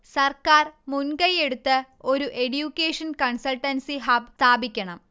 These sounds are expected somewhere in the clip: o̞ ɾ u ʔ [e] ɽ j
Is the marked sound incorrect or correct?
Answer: correct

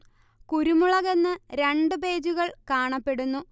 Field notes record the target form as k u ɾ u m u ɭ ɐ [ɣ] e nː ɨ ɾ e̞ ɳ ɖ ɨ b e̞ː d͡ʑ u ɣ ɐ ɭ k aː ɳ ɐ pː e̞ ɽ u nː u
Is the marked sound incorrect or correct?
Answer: correct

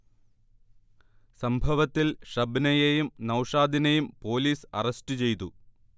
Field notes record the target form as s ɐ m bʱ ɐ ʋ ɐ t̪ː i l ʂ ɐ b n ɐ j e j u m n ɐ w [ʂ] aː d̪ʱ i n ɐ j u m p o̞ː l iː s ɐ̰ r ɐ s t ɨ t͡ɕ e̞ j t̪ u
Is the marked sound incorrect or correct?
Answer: correct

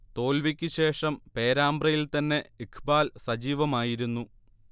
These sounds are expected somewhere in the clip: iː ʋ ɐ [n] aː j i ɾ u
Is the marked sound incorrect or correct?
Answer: incorrect: m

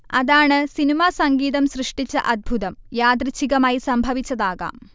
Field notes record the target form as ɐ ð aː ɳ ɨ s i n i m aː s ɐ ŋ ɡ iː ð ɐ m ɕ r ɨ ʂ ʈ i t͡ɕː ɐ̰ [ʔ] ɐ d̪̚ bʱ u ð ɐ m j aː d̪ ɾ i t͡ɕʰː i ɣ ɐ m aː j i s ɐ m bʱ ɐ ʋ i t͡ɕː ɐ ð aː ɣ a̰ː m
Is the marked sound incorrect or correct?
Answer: correct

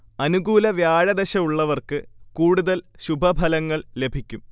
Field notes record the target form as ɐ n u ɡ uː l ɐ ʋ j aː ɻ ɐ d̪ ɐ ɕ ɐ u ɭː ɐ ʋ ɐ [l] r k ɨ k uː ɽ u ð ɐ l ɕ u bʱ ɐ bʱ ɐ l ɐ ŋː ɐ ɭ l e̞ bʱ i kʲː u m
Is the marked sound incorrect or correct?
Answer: incorrect: none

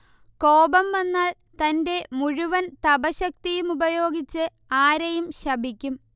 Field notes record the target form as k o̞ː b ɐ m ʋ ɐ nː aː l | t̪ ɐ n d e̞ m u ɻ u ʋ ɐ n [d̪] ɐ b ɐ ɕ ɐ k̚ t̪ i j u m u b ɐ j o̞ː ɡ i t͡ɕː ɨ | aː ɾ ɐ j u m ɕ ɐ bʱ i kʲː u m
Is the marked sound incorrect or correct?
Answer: incorrect: t̪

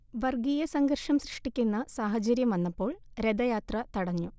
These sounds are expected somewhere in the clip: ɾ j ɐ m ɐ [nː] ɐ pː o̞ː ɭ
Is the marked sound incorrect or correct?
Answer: correct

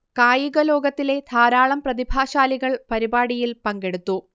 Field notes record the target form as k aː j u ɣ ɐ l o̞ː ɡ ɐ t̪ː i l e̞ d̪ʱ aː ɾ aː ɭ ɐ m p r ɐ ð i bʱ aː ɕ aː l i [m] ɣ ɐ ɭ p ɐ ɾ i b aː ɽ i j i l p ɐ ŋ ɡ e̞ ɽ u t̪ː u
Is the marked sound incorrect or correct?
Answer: incorrect: none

